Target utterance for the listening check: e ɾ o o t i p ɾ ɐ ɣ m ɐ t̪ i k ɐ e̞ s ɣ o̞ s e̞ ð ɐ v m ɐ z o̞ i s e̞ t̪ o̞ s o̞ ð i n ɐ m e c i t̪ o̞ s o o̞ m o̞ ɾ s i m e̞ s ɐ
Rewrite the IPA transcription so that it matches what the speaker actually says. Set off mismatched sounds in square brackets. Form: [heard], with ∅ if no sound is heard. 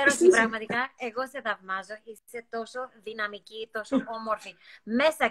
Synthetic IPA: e ɾ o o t i p ɾ ɐ ɣ m ɐ t̪ i k ɐ e̞ [∅] ɣ o̞ s e̞ ð ɐ v m ɐ z o̞ i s e̞ t̪ o̞ s o̞ ð i n ɐ m [i] c i t̪ o̞ s o o̞ m o̞ ɾ [f] i m e̞ s ɐ